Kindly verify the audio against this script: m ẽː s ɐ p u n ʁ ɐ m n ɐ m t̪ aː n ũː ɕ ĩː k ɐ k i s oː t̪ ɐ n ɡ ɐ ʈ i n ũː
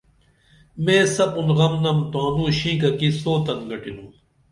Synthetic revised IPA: m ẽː s ɐ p u n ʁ ɐ m n ɐ m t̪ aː n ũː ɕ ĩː k ɐ k i s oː t̪ ɐ n ɡ ɐ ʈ i n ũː